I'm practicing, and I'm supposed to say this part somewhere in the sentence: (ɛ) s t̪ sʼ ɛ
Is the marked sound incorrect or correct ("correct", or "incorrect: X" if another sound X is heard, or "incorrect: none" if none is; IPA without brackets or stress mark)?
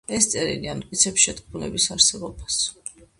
correct